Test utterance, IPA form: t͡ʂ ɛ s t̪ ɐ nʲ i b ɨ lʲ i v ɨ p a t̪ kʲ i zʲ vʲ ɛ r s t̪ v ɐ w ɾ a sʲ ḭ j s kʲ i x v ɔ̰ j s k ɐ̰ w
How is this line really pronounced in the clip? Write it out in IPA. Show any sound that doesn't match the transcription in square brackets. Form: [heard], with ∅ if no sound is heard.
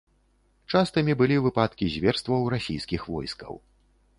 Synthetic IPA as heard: t͡ʂ [a] s t̪ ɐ [mʲ] i b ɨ lʲ i v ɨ p a t̪ kʲ i zʲ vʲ ɛ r s t̪ v ɐ w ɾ a sʲ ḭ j s kʲ i x v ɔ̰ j s k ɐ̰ w